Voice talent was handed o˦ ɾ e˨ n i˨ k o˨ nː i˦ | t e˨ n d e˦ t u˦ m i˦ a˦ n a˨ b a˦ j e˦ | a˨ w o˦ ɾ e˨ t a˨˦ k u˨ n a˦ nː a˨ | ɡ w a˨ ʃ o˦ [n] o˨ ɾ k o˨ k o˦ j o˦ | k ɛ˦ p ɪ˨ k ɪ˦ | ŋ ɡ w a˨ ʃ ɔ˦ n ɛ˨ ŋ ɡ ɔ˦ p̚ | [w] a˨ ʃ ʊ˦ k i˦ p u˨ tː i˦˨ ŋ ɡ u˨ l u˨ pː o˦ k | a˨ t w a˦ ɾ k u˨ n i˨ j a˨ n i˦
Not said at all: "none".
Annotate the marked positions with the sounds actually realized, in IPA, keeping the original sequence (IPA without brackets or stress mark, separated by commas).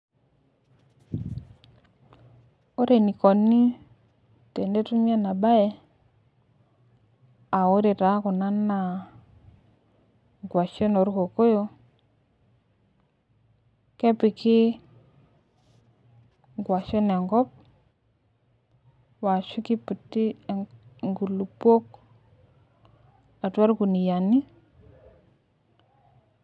n, w